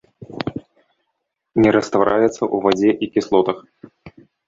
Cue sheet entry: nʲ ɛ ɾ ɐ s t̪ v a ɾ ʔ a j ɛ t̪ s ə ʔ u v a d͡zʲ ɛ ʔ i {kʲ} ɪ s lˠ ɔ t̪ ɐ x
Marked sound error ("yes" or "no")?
no